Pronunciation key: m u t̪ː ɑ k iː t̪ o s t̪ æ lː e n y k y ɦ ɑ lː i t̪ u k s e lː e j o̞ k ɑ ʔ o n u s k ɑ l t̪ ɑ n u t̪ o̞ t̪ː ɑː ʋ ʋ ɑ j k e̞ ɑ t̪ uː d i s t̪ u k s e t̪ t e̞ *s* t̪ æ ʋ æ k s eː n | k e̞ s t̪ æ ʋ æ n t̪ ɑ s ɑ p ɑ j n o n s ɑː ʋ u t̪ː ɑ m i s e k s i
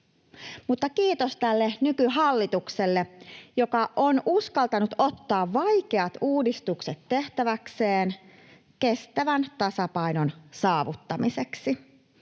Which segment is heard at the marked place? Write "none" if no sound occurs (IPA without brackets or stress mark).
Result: h